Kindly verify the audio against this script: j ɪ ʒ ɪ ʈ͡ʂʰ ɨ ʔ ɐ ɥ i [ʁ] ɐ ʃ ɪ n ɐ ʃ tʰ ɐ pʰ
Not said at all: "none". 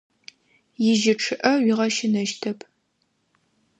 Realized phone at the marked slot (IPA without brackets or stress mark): ʁ